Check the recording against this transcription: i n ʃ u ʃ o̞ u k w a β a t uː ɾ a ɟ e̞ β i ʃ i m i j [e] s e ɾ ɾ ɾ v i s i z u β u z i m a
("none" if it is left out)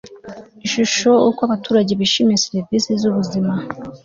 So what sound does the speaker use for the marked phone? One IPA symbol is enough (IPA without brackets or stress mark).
e